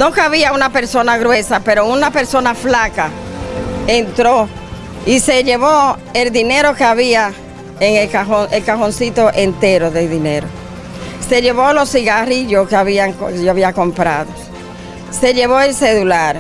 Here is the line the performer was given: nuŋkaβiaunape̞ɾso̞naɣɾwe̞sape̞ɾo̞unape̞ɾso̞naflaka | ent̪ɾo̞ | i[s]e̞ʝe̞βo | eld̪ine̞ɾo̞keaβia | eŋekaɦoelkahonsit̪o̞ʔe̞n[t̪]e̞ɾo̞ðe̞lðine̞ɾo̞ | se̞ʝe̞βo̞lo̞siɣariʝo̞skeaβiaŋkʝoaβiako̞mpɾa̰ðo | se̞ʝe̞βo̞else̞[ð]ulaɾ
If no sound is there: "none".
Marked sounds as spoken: s, t̪, ð

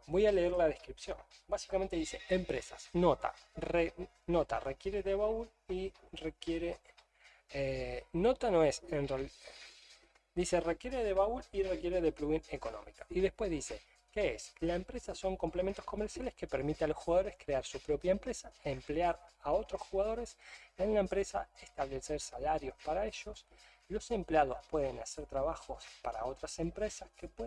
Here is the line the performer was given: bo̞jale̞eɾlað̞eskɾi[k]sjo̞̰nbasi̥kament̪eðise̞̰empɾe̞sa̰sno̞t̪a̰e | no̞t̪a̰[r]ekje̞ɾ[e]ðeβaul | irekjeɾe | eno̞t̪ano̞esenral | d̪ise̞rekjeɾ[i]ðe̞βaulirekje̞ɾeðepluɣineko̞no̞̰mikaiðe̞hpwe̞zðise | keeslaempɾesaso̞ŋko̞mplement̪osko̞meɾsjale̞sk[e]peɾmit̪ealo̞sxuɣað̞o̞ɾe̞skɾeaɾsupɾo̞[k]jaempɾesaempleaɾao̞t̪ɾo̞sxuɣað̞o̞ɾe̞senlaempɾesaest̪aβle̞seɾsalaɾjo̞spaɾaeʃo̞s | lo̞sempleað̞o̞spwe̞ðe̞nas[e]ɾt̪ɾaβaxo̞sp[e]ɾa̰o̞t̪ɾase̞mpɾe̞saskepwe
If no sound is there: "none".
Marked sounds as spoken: p, r, e, e, e, p, e, a

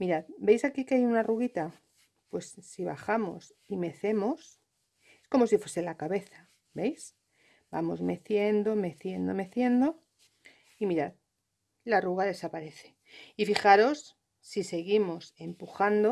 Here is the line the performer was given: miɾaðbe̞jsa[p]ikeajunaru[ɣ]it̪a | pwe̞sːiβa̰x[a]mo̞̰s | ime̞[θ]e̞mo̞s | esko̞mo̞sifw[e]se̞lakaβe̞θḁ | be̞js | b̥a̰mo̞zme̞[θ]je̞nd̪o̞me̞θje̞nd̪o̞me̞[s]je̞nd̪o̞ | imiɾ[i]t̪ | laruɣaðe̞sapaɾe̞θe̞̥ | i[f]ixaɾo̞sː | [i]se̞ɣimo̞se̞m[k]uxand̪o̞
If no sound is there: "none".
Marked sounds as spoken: k, ɣ, a, θ, e, θ, θ, a, f, i, p

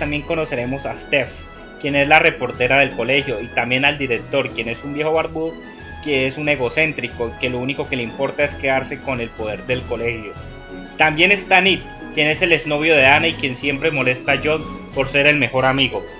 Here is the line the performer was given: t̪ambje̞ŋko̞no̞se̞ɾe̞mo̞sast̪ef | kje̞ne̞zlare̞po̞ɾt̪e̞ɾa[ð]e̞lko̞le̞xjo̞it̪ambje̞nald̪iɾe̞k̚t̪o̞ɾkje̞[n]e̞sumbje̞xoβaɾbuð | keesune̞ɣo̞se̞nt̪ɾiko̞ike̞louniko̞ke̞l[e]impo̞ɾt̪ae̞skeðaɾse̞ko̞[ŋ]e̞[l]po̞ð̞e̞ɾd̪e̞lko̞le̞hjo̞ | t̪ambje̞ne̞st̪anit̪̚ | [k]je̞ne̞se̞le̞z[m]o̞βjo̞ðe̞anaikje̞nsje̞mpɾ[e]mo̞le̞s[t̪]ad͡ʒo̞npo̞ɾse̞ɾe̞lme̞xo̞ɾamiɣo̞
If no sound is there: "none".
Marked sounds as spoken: ð, n, e, n, l, k, n, e, t̪

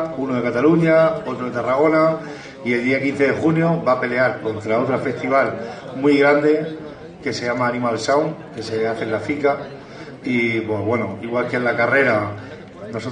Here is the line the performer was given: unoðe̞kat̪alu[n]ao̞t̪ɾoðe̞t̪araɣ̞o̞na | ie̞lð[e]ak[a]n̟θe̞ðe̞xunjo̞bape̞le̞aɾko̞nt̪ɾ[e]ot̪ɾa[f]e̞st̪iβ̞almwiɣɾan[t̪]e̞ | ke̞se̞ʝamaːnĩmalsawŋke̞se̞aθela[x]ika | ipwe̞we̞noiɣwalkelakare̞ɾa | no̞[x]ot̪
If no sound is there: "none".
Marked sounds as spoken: ɲ, i, i, a, f, d̪, f, s

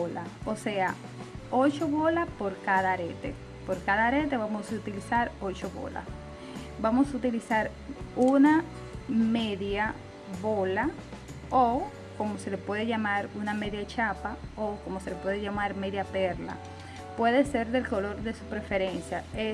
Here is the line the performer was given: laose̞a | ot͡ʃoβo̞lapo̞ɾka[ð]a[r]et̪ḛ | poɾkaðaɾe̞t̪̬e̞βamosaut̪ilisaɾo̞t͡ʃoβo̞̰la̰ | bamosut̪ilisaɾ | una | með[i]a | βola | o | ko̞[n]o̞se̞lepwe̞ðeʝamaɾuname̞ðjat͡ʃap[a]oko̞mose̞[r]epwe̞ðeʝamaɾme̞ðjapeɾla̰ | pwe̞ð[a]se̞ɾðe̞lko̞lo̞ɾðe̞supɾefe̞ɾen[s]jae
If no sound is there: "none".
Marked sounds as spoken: ð, ɾ, j, m, a, l, e, s

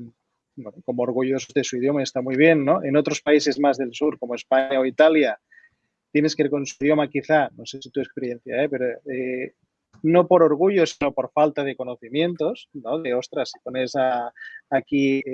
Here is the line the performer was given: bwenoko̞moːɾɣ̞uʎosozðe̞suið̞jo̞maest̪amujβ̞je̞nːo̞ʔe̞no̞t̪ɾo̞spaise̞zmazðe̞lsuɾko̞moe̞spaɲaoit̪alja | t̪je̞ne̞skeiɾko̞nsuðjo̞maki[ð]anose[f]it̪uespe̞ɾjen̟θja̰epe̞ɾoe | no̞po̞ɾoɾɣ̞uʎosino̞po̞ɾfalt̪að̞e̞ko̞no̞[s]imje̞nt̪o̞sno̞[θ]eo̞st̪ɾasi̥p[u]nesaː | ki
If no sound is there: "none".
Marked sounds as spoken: θ, s, θ, ð, o

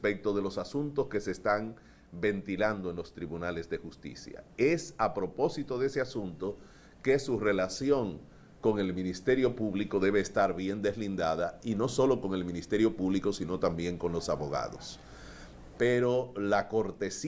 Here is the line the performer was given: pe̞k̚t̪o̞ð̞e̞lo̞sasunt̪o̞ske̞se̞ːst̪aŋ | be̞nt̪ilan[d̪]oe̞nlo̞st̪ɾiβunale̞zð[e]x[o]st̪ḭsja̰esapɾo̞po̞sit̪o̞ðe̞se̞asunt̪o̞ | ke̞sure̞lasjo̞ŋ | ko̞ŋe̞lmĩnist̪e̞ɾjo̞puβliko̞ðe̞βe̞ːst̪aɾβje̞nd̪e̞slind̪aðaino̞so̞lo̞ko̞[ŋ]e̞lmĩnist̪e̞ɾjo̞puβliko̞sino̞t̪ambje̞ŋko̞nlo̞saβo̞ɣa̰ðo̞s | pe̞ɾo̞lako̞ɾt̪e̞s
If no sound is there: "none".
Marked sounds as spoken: d̪, e, u, ŋ

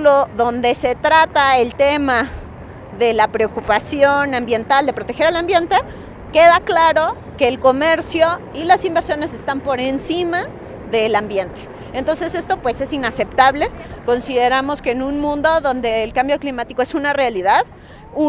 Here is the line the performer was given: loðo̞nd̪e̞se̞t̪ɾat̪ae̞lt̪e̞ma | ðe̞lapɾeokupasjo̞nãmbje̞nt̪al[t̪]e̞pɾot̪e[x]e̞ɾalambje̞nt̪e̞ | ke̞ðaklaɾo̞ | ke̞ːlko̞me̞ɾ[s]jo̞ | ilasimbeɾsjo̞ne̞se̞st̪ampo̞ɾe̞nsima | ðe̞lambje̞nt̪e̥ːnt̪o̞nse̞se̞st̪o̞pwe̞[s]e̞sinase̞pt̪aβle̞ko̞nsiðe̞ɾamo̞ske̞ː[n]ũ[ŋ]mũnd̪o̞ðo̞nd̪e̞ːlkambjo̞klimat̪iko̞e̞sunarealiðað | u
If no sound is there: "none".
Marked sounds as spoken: d̪, x, s, s, n, n

